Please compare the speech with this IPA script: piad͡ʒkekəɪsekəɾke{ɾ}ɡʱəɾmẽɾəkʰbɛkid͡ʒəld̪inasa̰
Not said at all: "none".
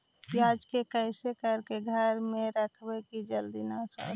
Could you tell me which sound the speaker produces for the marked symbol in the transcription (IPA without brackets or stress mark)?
none